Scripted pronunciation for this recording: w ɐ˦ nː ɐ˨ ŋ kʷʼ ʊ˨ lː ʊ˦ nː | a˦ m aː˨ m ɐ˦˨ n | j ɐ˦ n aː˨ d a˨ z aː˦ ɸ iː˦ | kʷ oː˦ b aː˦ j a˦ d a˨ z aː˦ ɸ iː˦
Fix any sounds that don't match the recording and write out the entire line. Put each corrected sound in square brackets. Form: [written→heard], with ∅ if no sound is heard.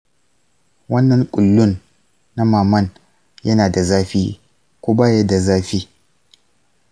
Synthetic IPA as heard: w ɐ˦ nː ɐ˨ ŋ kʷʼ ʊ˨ lː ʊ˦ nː | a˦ m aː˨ m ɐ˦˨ n | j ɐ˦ n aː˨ d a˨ z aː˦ ɸ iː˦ | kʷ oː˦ b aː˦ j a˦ d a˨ z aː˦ ɸ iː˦